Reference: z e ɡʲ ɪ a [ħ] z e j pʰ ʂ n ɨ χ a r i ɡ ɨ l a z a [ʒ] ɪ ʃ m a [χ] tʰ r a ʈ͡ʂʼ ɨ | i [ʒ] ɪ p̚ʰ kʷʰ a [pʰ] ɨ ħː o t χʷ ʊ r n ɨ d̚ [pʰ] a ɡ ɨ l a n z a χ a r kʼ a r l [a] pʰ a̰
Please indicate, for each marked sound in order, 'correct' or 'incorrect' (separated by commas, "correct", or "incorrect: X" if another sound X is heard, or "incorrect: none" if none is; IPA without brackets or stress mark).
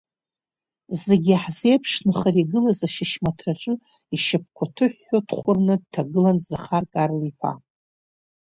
correct, incorrect: ʃ, incorrect: none, incorrect: ʃ, incorrect: tʰ, incorrect: tʰ, incorrect: i